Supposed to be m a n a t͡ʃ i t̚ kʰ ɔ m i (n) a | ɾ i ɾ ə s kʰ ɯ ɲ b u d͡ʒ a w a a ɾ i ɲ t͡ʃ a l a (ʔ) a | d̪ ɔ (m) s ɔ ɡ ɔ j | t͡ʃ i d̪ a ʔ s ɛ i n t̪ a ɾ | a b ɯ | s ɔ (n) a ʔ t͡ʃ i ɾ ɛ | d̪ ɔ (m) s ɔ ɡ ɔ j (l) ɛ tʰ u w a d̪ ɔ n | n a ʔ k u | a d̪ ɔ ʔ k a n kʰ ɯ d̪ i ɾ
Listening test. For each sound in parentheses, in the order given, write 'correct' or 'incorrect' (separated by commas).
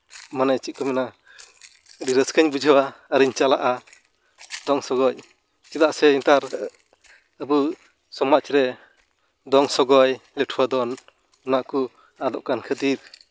correct, correct, incorrect, incorrect, incorrect, correct